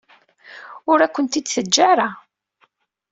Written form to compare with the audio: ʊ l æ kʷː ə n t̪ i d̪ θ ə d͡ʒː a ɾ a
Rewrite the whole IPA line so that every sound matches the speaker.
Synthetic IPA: ʊ ɾ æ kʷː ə n t̪ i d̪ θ ə d͡ʒː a ɾ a